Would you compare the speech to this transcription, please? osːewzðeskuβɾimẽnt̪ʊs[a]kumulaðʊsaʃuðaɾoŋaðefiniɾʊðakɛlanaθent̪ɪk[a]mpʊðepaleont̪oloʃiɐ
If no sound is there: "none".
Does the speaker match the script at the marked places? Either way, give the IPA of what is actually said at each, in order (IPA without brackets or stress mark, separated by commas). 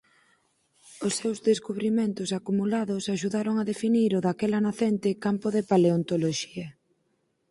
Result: a, a